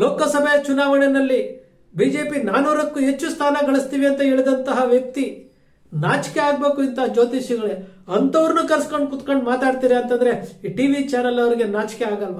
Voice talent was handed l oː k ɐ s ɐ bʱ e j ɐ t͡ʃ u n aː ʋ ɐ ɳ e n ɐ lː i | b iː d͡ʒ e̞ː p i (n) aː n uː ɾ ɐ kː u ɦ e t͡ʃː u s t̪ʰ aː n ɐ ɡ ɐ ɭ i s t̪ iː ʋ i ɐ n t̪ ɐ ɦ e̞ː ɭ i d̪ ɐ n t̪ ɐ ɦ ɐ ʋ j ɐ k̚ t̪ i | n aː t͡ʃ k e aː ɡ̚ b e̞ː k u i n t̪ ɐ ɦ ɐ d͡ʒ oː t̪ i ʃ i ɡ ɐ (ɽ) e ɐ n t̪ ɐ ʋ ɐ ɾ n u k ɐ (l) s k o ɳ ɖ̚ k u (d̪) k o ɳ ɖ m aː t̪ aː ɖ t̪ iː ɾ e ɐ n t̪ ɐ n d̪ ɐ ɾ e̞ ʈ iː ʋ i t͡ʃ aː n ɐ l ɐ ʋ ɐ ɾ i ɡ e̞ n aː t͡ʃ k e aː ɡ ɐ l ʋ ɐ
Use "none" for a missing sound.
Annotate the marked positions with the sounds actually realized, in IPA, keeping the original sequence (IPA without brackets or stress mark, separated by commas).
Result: n, ɭ, ɾ, t̪